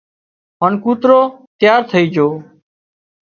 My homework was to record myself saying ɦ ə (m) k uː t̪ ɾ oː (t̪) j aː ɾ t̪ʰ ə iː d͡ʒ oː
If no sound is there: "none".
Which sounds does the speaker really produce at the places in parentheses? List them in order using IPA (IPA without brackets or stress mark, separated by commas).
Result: n, t̪